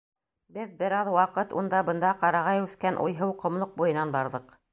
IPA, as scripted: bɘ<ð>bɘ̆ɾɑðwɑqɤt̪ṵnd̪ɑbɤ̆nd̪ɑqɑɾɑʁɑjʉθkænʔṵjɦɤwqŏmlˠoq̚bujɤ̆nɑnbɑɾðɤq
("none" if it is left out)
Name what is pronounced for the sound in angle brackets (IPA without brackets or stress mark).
ð